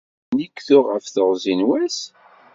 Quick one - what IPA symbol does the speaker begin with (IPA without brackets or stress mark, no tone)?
n